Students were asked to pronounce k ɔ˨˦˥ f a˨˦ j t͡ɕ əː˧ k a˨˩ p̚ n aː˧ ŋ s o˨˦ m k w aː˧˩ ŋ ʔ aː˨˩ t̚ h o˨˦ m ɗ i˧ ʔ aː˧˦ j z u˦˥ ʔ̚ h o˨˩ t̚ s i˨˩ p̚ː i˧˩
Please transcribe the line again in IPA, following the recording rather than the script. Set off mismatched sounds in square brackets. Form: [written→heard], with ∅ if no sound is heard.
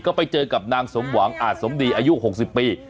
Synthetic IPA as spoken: k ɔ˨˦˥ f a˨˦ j t͡ɕ əː˧ k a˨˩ p̚ n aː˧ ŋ s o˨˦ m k w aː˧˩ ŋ ʔ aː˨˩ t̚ [h→s] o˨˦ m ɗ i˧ ʔ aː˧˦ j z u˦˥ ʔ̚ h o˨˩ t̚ s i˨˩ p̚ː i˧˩

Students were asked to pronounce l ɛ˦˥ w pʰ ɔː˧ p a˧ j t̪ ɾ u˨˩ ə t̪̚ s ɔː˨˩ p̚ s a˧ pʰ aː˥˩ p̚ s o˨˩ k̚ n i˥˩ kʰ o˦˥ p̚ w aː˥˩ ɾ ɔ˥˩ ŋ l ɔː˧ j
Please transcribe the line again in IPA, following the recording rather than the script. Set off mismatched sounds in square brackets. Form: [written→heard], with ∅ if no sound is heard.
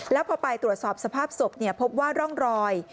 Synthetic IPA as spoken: l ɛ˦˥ w pʰ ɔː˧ p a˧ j t̪ ɾ u˨˩ ə t̪̚ s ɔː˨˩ p̚ s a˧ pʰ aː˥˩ p̚ s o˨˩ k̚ n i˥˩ [kʰ→pʰ] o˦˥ p̚ w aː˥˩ ɾ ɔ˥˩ ŋ [l→ɾ] ɔː˧ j

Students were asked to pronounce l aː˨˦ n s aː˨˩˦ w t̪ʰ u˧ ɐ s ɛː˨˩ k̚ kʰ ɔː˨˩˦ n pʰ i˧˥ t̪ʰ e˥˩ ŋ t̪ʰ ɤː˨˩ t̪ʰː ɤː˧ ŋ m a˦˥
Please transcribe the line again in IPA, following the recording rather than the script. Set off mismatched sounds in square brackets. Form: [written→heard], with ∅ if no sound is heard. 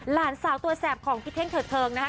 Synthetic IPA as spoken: l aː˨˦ n s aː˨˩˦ w [t̪ʰ→t̪] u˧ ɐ s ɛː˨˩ [k̚→p̚] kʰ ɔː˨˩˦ [n→ŋ] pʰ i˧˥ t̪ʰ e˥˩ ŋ t̪ʰ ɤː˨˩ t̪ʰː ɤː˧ ŋ [m→n] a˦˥

